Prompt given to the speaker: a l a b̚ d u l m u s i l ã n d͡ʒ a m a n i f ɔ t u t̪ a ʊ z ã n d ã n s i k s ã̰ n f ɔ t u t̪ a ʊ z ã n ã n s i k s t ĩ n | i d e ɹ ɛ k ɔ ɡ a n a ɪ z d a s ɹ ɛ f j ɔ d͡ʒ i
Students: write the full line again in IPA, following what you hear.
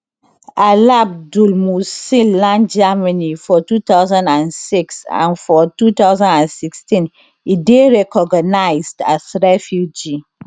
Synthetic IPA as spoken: a l a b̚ d u l m u s i l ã n d͡ʒ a m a n i f ɔ t u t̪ a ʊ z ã n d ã n s i k s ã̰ n f ɔ t u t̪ a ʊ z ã n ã n s i k s t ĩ n | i d e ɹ ɛ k ɔ ɡ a n a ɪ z d a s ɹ ɛ f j u d͡ʒ i